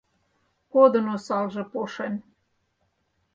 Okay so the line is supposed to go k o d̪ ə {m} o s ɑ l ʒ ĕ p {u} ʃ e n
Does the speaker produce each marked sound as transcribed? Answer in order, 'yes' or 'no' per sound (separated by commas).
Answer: no, no